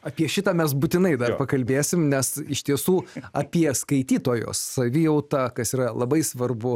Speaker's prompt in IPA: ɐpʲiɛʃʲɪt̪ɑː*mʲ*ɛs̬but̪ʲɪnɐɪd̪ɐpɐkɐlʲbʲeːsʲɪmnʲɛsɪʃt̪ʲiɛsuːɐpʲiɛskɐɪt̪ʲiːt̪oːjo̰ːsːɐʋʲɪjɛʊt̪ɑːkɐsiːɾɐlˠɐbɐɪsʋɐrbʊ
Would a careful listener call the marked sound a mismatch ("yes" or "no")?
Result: no